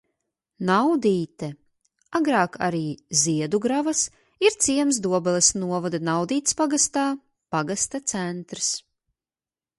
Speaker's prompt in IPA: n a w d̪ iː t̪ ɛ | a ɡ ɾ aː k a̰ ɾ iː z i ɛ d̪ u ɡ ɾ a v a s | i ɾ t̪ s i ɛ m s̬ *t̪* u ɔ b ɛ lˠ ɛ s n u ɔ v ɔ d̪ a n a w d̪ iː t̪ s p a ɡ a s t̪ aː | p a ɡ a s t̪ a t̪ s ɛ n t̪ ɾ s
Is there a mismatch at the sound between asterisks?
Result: yes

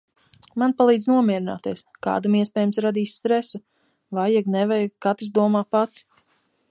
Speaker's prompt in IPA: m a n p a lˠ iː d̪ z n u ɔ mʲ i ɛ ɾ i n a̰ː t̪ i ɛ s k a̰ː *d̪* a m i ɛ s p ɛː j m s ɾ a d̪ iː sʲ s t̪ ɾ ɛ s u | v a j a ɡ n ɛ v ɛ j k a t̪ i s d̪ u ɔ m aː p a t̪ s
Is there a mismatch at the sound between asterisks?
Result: no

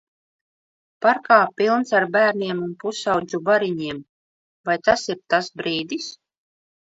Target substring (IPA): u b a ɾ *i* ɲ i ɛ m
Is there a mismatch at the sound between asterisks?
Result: no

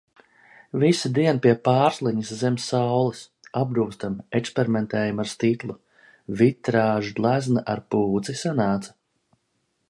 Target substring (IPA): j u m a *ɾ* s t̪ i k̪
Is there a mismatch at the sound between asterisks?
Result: no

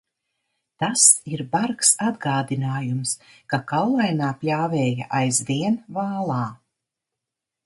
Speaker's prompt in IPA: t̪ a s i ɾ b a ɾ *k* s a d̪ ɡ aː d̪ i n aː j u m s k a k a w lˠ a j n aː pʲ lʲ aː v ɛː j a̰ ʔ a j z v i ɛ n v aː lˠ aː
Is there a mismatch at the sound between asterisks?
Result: no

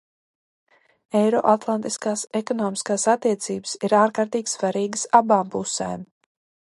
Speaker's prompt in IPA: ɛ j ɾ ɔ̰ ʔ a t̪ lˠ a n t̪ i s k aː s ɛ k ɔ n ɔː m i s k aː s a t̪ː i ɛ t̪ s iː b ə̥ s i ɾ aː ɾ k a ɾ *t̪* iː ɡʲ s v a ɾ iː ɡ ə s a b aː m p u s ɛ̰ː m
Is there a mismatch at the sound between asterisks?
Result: no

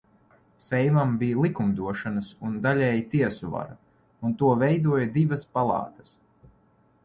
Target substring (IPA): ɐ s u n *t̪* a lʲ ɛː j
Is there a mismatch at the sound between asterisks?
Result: yes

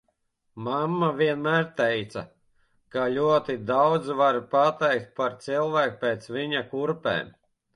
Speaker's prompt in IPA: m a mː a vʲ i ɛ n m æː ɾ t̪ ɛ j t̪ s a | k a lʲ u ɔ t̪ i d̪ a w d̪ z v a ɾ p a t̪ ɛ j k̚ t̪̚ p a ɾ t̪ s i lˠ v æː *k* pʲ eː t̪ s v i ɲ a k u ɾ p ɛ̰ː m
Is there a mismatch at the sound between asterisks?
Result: no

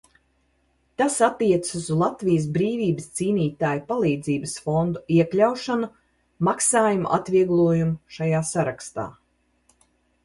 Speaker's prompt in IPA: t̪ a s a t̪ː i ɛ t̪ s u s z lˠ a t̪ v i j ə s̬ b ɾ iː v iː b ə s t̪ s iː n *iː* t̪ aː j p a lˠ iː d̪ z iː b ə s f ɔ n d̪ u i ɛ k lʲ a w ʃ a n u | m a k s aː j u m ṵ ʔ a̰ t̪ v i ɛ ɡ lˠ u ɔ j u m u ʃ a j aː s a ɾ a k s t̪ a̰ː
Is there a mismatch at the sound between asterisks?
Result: no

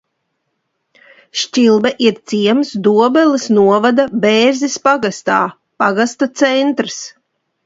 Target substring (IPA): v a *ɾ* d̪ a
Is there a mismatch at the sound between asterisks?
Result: yes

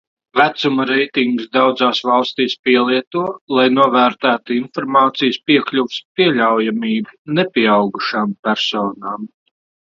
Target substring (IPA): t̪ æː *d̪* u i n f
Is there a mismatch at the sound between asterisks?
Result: yes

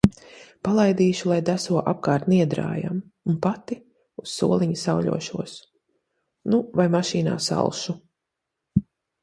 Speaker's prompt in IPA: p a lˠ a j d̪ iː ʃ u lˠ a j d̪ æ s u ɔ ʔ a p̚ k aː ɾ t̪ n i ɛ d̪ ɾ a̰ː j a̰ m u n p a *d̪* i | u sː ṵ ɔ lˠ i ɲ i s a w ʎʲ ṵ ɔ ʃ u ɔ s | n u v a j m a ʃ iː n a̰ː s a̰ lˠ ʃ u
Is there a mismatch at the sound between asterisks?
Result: yes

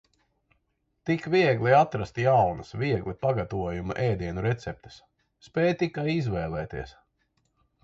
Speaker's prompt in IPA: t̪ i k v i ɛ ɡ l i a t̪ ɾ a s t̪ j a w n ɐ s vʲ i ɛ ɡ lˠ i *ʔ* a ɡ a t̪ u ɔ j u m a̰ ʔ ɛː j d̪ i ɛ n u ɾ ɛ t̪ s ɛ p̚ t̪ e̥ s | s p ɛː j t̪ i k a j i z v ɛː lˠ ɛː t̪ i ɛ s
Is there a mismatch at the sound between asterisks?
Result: yes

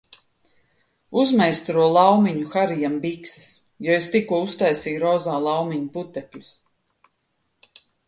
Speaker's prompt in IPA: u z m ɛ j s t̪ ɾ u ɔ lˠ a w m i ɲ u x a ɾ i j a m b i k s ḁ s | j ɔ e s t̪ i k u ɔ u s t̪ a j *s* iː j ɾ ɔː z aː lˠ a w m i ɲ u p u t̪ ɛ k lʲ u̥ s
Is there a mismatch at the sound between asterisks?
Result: no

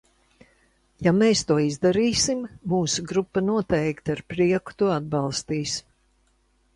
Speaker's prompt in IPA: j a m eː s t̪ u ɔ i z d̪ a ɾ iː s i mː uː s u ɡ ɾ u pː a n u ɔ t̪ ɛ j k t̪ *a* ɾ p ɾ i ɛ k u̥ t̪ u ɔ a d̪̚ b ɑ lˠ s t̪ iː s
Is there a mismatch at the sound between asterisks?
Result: no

